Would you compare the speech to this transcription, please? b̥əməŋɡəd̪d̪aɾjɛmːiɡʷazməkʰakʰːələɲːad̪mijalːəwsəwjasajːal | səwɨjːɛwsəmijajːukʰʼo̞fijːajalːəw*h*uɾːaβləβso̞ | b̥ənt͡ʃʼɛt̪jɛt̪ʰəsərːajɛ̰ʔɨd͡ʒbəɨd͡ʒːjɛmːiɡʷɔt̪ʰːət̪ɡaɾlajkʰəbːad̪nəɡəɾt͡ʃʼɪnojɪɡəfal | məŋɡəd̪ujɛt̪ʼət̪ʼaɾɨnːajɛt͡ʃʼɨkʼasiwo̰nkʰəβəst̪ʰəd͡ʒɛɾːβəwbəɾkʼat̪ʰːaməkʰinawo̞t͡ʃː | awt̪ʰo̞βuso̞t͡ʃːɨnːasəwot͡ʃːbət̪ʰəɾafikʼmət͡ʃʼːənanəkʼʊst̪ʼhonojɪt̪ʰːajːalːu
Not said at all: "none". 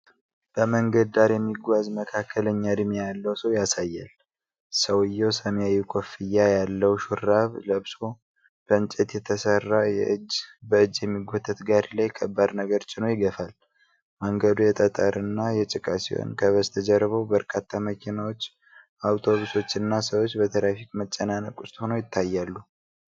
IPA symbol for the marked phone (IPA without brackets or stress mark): ʃ